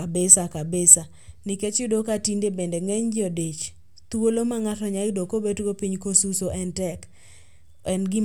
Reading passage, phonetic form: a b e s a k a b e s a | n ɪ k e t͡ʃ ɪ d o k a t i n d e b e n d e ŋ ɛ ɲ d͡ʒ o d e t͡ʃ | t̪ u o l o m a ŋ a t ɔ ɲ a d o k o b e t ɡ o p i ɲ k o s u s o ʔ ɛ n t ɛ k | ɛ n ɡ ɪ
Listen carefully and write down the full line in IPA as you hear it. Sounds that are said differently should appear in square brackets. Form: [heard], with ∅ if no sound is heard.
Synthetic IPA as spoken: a b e s a k a b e s a | n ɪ k e t͡ʃ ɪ d o k a t i n d e b e n d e ŋ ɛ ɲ d͡ʒ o d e t͡ʃ | t̪ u o l o m a ŋ a t ɔ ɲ a d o k o b e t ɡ o p i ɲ k o s u s o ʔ ɛ n t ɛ k | ɛ n ɡ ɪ